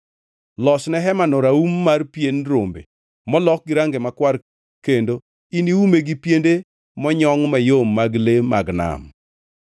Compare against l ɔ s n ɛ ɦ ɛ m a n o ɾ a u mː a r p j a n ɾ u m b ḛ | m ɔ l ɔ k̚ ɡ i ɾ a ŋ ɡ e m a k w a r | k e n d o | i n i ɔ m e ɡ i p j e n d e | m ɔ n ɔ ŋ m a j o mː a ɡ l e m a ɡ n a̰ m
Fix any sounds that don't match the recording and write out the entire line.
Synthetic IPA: l ɔ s n ɛ ɦ ɛ m a n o ɾ a u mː a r p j e n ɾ o m b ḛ | m ɔ l ɔ k̚ ɡ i ɾ a ŋ ɡ e m a k w a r | k e n d o | i n i u m e ɡ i p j e n d e | m ɔ ɲ ɔ ŋ m a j o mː a ɡ l e m a ɡ n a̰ m